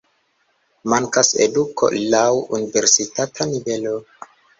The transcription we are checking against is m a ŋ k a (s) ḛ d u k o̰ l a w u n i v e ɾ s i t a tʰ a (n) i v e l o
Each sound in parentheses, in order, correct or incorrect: correct, correct

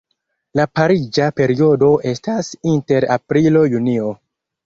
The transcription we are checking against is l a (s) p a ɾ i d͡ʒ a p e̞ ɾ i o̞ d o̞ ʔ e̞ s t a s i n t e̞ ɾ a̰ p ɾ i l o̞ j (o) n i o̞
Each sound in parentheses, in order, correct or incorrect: incorrect, incorrect

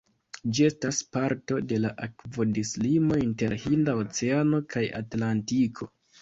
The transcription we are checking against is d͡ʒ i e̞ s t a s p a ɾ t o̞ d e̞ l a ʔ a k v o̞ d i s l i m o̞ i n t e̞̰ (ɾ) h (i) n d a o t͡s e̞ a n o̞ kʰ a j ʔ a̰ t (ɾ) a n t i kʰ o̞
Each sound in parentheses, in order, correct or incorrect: correct, correct, incorrect

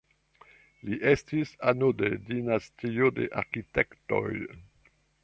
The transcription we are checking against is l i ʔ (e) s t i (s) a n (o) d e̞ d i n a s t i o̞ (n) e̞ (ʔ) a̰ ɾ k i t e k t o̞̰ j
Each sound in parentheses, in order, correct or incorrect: correct, correct, correct, incorrect, correct

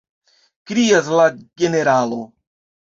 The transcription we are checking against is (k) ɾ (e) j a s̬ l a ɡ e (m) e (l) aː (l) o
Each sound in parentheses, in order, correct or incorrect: correct, incorrect, incorrect, incorrect, correct

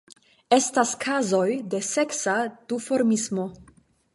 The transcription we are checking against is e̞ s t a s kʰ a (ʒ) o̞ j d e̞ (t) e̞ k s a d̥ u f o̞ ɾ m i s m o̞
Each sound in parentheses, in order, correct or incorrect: incorrect, incorrect

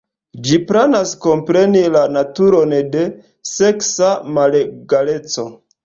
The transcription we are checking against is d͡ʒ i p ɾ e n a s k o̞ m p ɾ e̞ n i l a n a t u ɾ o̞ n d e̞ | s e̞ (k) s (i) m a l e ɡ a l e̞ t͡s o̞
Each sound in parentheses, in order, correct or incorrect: correct, incorrect

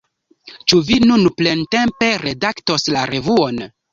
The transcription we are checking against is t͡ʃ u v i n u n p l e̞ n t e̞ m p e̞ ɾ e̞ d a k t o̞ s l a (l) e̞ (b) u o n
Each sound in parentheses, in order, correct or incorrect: incorrect, incorrect

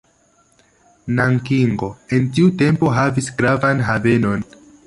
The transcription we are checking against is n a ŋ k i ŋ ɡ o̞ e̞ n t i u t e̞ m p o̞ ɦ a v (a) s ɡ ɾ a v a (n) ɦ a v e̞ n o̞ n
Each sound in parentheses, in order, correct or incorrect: incorrect, correct

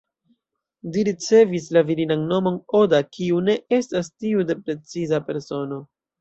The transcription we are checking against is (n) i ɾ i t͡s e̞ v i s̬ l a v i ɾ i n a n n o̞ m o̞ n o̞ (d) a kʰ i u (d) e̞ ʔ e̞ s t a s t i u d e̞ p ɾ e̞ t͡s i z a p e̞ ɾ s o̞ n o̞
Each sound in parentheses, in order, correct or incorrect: incorrect, correct, incorrect

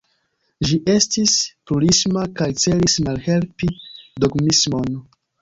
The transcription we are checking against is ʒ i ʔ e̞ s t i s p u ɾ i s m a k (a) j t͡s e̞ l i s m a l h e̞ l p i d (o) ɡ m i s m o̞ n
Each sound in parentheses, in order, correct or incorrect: correct, correct

